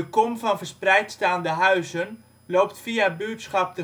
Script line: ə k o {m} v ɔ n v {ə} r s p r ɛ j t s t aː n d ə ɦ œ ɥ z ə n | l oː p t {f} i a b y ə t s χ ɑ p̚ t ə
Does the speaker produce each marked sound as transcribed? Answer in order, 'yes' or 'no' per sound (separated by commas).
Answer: yes, yes, yes